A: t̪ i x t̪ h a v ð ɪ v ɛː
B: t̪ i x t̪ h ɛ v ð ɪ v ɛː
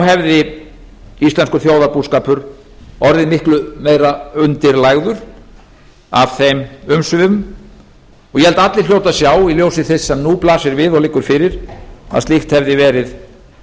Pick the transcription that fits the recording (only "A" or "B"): B